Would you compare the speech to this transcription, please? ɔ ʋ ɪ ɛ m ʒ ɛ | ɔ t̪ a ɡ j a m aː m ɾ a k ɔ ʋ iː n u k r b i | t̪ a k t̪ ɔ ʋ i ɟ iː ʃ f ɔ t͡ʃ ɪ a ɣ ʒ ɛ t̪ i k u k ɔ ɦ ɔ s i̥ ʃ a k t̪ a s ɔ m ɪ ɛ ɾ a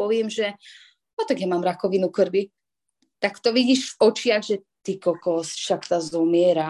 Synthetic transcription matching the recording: ɔ ʋ ɪ ɛ m ʒ ɛ | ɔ t̪ a ɡ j a m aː m ɾ a k ɔ ʋ i n u k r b i | t̪ a k t̪ ɔ ʋ i ɟ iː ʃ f ɔ t͡ʃ ɪ a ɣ ʒ ɛ t̪ i k ɔ k ɔ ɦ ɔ s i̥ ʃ a k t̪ a z ɔ m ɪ ɛ ɾ a